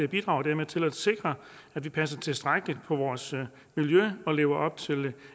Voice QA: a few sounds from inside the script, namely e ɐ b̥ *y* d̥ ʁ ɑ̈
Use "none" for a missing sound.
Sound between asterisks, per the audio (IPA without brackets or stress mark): i